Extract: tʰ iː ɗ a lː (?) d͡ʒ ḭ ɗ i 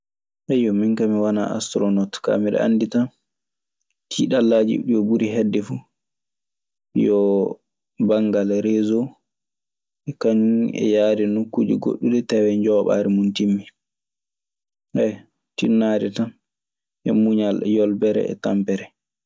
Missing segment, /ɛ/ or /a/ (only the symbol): a